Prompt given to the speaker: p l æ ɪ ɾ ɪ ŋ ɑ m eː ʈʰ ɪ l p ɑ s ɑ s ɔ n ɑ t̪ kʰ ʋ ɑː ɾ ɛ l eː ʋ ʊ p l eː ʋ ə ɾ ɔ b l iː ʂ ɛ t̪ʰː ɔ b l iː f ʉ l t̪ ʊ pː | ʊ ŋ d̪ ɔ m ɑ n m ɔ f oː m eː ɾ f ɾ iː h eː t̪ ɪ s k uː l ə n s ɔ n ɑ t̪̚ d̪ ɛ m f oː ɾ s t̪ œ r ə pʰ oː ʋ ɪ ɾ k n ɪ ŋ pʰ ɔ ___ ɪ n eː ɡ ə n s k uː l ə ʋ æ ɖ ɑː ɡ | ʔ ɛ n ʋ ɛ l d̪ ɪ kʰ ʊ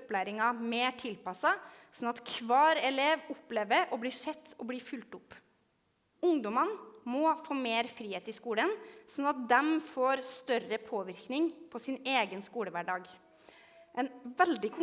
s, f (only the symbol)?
s